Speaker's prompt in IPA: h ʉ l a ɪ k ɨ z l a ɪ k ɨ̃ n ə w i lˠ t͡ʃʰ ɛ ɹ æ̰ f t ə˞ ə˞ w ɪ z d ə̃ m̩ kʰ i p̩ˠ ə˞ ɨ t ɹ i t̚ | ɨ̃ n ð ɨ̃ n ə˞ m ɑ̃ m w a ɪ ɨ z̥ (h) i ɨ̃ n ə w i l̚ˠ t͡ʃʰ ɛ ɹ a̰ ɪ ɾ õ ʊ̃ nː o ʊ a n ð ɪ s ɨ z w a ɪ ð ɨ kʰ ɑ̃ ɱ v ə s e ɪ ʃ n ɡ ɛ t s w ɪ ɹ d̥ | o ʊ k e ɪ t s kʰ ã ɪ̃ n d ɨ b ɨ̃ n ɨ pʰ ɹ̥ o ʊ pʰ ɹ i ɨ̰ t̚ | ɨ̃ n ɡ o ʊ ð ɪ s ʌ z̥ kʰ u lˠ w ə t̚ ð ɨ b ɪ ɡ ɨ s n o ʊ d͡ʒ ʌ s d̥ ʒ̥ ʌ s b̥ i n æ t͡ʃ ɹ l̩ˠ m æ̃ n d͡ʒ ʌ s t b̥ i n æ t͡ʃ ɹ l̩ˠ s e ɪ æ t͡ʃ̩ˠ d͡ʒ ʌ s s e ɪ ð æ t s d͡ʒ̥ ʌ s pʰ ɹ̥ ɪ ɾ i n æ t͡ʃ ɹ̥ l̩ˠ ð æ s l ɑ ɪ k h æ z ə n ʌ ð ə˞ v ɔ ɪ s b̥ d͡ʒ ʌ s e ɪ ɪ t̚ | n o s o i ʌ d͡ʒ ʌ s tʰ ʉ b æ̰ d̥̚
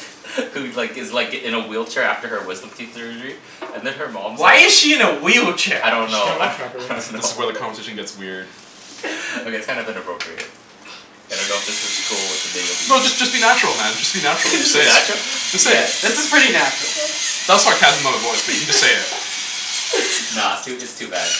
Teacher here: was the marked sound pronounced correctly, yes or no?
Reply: no